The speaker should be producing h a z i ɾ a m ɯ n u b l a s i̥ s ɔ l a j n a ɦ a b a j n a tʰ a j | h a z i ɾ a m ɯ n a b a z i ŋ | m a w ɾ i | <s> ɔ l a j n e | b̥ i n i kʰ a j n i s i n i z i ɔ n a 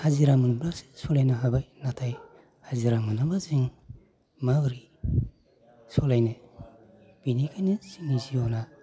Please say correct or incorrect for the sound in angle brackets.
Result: correct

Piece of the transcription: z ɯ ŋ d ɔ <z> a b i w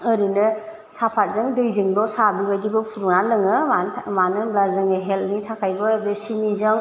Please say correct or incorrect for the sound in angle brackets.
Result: incorrect: s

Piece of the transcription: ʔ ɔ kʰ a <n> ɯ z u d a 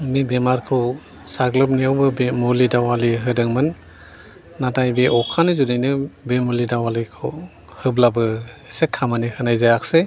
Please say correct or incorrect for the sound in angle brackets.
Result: correct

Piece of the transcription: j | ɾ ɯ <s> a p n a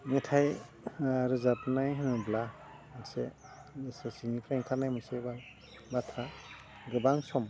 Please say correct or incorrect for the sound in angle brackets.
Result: incorrect: z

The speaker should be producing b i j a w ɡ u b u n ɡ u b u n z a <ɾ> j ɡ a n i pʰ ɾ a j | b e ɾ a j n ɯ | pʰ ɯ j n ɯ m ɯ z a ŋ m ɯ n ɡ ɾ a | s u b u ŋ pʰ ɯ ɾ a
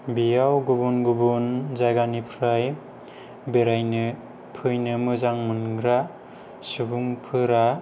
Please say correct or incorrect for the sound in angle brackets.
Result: incorrect: none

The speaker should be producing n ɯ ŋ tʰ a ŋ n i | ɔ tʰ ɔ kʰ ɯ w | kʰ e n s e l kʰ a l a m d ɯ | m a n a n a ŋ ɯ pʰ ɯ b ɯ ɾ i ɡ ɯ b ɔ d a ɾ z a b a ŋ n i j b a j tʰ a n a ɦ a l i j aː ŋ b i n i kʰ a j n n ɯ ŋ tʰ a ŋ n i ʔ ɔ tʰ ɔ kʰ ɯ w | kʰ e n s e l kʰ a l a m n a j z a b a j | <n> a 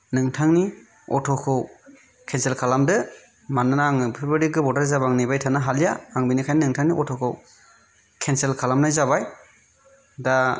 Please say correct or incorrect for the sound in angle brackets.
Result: incorrect: d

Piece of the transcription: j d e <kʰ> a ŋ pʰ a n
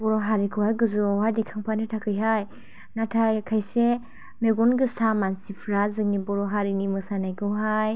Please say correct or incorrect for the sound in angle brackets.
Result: correct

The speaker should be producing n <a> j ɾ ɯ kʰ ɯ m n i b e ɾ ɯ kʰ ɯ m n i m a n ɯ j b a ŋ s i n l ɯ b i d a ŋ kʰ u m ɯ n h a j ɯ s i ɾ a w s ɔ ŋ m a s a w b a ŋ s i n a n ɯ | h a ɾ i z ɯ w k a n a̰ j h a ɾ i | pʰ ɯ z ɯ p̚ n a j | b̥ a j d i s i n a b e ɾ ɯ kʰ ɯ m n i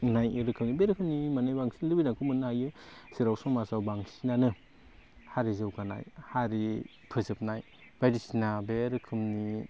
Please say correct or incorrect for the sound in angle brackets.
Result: correct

